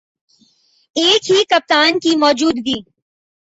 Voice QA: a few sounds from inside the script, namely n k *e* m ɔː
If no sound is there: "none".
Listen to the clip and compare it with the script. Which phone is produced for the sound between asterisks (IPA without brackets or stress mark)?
i